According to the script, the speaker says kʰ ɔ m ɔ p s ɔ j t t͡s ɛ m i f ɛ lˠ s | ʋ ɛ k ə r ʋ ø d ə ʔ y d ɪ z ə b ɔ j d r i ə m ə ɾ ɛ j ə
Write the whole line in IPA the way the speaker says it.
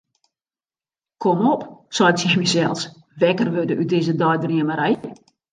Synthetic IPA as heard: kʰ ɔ m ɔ p s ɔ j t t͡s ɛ m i s ɛ lˠ s | ʋ ɛ k ə r ʋ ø d ə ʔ y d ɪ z ə d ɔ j d r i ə m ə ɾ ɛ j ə